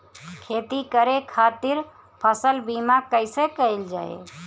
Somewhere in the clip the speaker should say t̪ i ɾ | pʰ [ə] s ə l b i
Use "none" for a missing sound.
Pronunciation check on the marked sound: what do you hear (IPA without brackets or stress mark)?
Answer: ə